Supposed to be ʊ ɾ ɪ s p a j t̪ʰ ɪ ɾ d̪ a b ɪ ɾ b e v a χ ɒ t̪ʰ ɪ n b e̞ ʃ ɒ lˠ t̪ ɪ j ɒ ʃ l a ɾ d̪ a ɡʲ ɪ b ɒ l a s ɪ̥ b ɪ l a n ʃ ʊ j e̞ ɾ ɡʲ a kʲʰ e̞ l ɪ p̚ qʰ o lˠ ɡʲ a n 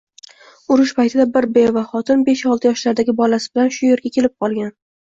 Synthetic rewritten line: ʊ ɾ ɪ ʃ p a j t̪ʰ ɪ d̪ a b ɪ ɾ b e v a χ ɒ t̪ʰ ɪ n b e̞ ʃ ɒ lˠ t̪ ɪ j ɒ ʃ l a ɾ d̪ a ɡʲ ɪ b ɒ l a s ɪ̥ b ɪ l a n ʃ ʊ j e̞ ɾ ɡʲ a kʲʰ e̞ l ɪ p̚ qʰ ɒ lˠ ɡʲ a n

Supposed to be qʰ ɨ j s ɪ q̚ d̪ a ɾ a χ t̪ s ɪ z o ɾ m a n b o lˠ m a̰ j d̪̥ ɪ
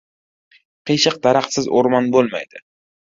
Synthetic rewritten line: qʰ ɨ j ʃ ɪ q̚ d̪ a ɾ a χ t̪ s ɪ z o ɾ m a n b o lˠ m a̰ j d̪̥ ɪ

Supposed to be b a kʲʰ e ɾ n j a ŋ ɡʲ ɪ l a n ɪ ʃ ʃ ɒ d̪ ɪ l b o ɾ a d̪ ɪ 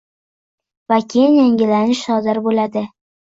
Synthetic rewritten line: v a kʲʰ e n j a ŋ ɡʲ ɪ l a n ɪ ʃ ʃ ɒ d̪ ɪ ɾ b o l a d̪ ɪ

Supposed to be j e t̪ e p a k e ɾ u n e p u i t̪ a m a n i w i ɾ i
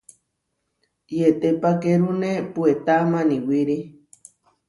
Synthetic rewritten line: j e t̪ e p a k e ɾ u n e p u e t̪ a m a n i w i ɾ i

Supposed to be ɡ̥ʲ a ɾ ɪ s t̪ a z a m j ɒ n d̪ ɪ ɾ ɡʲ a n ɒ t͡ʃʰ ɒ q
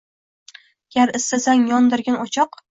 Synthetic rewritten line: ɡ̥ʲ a ɾ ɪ s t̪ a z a ŋ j ɒ n d̪ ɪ ɾ ɡʲ a n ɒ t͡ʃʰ ɒ q

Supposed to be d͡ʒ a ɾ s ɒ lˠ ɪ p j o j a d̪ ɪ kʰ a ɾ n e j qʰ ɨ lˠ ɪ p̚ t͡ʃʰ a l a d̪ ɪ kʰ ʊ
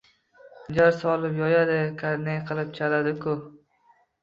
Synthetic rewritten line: d͡ʒ a ɾ s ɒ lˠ ɪ p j ɒ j a d̪ ɪ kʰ a ɾ n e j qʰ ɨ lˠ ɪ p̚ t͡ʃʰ a l a d̪ ɪ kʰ ʊ

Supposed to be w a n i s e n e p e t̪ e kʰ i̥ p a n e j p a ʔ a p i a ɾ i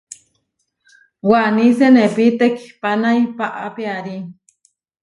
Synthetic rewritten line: w a n i s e n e p i t̪ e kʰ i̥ p a n a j p a ʔ a p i a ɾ i

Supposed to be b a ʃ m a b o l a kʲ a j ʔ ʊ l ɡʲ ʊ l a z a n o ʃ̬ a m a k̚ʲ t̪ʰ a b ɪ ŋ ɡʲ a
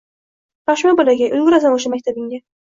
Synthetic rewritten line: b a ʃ m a b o l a ɡʲ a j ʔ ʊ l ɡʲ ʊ ɾ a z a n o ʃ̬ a m a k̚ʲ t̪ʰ a b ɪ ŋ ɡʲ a

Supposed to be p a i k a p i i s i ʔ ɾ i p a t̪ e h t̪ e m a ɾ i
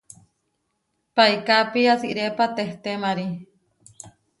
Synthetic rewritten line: p a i k a p i a s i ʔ ɾ e p a t̪ e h t̪ e m a ɾ i

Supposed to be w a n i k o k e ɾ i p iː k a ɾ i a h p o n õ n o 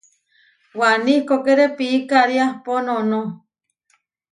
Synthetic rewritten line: w a n i k o k e ɾ e p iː k a ɾ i a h p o n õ n o

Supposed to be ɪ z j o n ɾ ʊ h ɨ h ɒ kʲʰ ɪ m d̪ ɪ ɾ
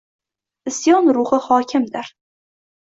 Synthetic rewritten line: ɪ s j ɒ n ɾ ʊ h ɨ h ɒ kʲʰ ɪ m d̪ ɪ ɾ

